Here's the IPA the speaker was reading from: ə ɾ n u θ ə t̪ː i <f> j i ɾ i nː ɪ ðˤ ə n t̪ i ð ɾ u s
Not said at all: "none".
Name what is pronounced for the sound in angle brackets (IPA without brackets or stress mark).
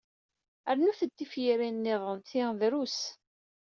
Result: f